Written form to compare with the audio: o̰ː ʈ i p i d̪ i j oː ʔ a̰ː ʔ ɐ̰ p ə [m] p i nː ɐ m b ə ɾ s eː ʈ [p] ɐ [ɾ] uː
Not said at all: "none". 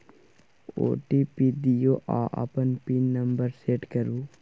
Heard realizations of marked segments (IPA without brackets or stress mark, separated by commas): n, k, ɾ